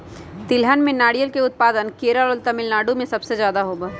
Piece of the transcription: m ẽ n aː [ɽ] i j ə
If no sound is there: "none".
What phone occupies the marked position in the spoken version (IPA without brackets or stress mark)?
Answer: ɽ